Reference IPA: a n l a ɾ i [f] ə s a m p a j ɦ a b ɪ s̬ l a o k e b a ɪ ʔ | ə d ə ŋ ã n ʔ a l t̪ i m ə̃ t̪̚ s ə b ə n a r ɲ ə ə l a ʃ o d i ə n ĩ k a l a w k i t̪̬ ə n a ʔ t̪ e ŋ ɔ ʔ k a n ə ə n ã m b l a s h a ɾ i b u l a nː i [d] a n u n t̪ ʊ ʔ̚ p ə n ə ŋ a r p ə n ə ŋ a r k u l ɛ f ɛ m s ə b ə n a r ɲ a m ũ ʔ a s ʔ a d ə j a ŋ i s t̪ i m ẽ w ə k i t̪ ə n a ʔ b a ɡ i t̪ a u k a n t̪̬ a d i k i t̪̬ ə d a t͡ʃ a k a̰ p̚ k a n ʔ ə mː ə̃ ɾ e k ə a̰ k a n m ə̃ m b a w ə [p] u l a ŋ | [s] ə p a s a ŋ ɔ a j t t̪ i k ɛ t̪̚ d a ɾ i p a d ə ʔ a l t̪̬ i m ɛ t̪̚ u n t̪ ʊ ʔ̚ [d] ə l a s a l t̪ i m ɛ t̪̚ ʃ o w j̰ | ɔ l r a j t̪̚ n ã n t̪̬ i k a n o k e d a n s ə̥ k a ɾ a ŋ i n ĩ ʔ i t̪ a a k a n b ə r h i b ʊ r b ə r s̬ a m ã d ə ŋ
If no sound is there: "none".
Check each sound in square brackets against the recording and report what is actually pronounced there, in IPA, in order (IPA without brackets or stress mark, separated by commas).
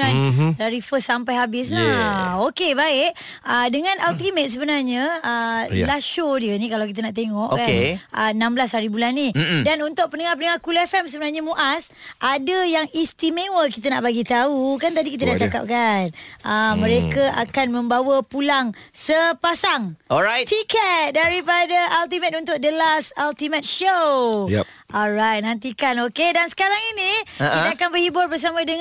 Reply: f, d, p, s, d